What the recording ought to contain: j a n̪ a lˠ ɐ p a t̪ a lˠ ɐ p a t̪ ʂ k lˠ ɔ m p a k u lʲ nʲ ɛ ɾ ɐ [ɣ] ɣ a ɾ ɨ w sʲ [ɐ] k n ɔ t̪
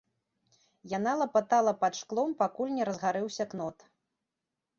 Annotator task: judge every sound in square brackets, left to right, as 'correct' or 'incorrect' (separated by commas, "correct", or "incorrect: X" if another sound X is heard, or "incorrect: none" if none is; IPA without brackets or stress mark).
incorrect: z, correct